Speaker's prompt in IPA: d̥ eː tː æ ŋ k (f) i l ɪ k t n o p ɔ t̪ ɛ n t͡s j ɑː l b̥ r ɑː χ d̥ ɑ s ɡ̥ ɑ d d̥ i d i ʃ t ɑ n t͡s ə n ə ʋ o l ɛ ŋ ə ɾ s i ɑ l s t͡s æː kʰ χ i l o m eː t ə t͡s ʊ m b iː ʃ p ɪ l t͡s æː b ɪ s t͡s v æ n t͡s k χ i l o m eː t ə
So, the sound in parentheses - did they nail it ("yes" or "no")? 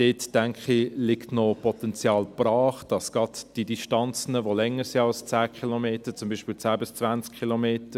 no